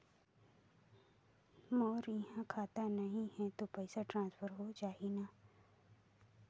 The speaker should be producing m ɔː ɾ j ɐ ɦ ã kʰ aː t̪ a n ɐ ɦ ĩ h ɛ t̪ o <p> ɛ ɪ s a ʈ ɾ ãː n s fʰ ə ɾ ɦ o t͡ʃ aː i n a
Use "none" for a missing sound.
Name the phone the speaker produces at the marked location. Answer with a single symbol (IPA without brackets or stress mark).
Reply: p